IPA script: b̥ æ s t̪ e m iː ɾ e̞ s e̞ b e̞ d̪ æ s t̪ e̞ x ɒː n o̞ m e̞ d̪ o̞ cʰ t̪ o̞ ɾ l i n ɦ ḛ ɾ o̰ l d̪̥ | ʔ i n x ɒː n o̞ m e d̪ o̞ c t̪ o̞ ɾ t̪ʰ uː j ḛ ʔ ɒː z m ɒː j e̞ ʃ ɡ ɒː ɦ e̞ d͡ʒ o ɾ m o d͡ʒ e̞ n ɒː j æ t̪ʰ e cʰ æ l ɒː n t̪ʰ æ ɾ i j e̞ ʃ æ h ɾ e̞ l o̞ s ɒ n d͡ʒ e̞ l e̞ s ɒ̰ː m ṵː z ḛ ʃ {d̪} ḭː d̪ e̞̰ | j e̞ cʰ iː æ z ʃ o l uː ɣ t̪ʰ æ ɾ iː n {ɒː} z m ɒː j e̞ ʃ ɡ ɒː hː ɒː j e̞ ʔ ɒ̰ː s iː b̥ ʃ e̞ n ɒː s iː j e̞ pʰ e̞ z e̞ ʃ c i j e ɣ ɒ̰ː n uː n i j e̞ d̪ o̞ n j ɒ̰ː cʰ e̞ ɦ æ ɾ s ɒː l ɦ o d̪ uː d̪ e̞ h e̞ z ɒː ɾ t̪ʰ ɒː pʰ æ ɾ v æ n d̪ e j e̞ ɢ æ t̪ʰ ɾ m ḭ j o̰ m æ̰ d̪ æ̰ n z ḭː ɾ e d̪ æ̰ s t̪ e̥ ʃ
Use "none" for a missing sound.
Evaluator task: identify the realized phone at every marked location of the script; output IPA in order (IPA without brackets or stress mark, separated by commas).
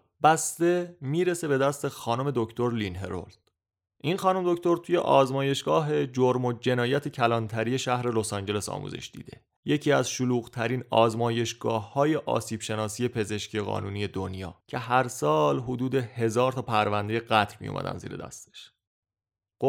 d̪, ɒː